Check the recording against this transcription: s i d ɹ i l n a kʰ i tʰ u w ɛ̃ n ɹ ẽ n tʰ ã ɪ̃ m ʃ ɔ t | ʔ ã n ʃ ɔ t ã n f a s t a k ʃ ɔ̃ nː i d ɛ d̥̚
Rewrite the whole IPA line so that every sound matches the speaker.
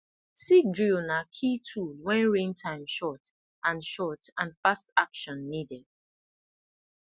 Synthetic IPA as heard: s i d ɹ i l n a kʰ i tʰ u w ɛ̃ n ɹ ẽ n tʰ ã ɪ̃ m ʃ ɔ t | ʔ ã n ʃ ɔ t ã n f a s t a k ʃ ɔ̃ nː i d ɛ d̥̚